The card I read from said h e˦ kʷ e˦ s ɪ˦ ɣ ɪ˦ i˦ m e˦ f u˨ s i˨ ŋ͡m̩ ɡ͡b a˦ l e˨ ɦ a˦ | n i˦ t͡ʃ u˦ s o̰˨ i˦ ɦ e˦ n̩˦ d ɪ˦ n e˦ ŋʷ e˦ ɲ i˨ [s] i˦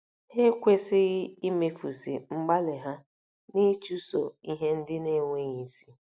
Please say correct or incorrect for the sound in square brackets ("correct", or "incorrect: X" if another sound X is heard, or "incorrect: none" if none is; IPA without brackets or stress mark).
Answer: correct